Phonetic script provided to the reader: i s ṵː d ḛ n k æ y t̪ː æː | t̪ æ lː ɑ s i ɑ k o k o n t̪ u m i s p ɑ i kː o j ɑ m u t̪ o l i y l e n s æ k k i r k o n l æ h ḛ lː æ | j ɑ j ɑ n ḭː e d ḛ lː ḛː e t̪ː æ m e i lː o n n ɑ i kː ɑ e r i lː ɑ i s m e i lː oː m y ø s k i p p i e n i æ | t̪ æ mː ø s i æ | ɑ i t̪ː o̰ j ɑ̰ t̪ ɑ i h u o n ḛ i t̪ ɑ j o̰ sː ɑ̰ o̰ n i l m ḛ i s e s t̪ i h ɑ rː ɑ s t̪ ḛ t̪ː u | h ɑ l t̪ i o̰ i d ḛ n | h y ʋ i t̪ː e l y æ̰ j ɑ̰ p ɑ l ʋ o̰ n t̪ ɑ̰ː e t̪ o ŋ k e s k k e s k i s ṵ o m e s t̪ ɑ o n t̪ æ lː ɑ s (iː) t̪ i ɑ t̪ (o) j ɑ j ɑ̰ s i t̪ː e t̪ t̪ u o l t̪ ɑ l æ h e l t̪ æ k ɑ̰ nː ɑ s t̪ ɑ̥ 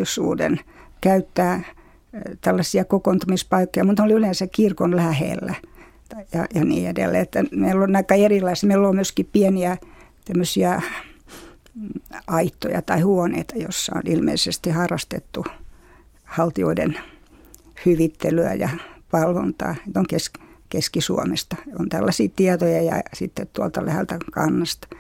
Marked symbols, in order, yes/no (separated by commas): yes, yes